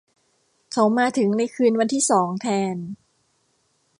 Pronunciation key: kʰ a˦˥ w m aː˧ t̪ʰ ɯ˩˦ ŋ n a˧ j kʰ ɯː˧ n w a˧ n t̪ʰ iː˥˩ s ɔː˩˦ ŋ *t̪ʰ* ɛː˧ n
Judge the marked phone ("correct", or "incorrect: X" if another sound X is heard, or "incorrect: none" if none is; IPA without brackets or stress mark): correct